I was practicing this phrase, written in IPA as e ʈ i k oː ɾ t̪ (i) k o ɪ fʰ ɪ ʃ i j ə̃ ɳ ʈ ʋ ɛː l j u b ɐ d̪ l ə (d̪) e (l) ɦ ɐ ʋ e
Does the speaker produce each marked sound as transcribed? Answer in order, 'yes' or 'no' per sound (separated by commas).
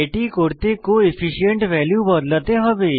no, no, no